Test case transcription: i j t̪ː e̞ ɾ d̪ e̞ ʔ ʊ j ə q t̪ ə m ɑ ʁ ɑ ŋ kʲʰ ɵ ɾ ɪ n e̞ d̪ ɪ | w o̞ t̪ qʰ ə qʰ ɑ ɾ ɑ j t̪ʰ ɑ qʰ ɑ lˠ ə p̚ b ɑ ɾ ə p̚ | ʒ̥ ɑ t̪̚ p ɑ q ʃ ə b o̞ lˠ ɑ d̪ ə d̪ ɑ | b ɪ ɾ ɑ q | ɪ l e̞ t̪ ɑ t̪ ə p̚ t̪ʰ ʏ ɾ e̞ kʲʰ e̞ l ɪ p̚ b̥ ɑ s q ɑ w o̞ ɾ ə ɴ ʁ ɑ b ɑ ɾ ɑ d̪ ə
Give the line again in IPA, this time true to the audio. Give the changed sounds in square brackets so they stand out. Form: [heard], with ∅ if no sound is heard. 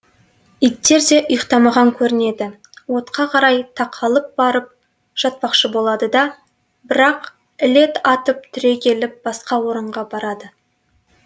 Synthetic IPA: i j t̪ː e̞ ɾ d̪ e̞ ʔ ʊ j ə q t̪ [ɑ] m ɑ ʁ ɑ ŋ kʲʰ ɵ ɾ ɪ n e̞ d̪ ɪ | w o̞ t̪ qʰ [ɑ] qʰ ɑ ɾ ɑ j t̪ʰ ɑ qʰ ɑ lˠ ə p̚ b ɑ ɾ ə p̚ | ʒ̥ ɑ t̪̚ p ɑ q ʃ ə b o̞ lˠ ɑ d̪ ə d̪ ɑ | b ɪ ɾ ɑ q | ɪ l e̞ t̪ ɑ t̪ ə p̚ t̪ʰ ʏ ɾ e̞ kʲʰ e̞ l ɪ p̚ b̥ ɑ s q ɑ w o̞ ɾ ə ɴ ʁ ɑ b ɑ ɾ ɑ d̪ ə